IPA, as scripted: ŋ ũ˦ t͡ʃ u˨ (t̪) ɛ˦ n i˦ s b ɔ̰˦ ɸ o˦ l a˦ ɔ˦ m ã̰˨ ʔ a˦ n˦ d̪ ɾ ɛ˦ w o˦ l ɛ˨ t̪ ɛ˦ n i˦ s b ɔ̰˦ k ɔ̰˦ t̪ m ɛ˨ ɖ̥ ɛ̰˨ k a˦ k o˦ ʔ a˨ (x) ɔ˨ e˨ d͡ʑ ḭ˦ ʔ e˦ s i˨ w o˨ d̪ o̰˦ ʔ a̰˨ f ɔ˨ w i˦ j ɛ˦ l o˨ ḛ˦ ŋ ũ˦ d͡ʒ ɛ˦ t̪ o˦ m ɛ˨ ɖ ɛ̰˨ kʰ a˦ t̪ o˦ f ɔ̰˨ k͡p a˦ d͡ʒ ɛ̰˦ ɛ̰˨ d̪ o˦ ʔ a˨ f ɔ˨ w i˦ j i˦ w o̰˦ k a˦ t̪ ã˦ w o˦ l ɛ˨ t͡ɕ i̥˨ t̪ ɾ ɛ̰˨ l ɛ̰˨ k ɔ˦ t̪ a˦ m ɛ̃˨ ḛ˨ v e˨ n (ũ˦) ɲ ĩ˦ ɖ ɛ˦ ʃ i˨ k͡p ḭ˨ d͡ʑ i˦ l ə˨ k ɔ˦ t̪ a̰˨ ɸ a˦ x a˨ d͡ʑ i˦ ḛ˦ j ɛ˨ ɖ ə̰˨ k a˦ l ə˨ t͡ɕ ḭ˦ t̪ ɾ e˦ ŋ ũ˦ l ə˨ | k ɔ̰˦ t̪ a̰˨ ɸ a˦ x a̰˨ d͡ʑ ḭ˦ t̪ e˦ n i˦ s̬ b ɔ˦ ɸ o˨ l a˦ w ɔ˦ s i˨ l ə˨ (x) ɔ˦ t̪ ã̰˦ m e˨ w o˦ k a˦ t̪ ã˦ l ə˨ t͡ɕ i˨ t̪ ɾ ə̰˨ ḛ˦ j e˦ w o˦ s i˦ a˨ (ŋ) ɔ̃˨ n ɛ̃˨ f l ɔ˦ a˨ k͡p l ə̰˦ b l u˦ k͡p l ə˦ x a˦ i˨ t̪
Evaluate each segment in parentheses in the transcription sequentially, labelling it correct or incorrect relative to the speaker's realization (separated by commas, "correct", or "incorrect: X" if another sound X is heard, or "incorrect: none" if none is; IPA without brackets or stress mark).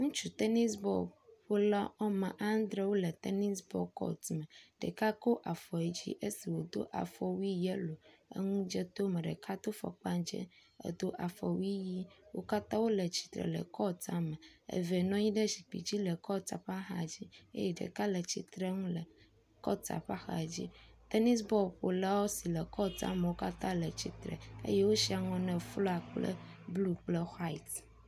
correct, incorrect: f, incorrect: ɔ̃˦, incorrect: k, correct